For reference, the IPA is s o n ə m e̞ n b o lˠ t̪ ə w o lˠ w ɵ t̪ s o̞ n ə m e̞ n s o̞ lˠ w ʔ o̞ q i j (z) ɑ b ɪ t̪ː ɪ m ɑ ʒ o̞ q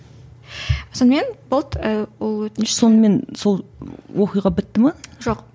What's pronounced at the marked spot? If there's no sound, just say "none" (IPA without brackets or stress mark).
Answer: ʁ